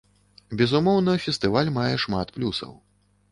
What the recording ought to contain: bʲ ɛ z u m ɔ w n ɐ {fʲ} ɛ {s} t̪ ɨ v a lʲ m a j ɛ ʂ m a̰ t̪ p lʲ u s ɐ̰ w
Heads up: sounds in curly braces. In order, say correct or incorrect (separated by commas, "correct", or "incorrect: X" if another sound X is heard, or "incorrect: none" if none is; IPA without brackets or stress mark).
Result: correct, correct